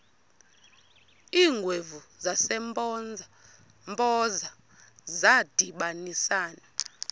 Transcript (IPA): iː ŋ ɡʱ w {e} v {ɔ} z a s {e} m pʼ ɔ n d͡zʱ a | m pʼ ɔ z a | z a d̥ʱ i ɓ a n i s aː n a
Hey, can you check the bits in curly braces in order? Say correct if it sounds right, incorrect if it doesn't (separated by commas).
correct, incorrect, incorrect